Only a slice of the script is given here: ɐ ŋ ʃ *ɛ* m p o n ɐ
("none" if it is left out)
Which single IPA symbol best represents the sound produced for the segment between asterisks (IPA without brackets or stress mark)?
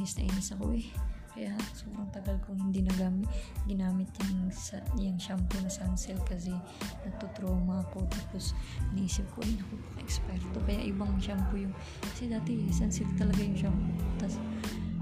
a